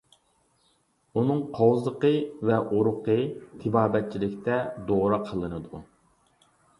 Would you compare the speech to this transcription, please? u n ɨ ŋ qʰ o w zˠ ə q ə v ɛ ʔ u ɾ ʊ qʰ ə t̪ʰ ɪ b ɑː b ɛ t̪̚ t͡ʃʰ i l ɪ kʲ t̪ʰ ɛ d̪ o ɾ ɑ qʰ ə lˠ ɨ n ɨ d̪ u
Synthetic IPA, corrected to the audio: u n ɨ ŋ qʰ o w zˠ ə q ə v ɛ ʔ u ɾ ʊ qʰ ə t̪ʰ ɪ b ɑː b ɛ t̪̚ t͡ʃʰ i l ɪ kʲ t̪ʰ ɛ d̪ o ɾ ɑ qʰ ə lˠ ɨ n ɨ d̪ u